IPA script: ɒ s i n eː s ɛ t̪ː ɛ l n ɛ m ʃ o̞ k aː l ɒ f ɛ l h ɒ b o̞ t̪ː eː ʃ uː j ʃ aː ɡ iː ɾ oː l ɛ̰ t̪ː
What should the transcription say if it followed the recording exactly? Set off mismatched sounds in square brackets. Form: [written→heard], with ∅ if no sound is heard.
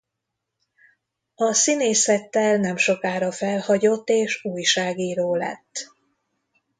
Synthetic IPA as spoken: ɒ s i n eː s ɛ t̪ː ɛ l n ɛ m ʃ o̞ k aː [l→ɾ] ɒ f ɛ l h ɒ [b→ɟ] o̞ t̪ː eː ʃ uː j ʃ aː ɡ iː ɾ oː l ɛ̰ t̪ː